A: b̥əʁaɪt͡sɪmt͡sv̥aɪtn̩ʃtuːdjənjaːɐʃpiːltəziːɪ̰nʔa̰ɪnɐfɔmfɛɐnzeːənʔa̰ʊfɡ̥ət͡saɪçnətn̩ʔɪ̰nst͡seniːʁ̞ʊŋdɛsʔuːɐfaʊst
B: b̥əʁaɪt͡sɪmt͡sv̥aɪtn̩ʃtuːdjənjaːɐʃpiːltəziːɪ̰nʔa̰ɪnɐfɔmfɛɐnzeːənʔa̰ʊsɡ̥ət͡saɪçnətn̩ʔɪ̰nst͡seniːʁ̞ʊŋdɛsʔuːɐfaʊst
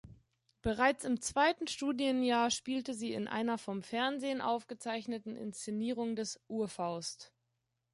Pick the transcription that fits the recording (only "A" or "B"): A